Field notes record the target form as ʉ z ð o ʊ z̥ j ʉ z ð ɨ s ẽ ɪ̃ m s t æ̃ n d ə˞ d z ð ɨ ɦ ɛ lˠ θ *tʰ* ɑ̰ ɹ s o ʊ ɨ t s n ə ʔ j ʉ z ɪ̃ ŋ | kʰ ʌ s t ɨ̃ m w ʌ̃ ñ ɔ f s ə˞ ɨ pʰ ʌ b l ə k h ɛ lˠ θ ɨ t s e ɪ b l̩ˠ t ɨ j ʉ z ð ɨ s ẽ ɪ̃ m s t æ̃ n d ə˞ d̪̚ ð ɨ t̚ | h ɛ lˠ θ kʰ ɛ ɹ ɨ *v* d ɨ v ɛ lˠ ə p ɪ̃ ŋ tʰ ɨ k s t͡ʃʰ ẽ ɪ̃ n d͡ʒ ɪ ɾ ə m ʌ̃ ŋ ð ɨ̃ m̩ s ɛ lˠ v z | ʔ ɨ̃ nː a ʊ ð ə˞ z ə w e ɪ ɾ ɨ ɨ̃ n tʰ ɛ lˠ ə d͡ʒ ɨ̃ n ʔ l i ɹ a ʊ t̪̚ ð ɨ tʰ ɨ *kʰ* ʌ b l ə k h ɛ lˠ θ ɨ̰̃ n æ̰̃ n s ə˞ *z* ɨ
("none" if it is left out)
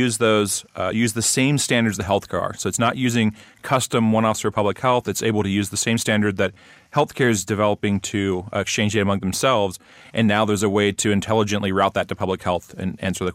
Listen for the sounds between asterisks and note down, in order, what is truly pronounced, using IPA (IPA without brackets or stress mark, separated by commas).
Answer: kʰ, z, pʰ, ð